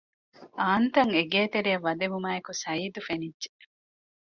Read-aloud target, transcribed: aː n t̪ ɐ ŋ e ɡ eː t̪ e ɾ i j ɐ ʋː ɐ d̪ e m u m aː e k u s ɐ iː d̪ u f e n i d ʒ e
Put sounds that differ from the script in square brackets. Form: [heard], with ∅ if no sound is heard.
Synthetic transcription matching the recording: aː n t̪ ɐ ŋ e ɡ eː t̪ e ɾ i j ɐ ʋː ɐ d̪ e m u m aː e k u s ɐ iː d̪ u f e n i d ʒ e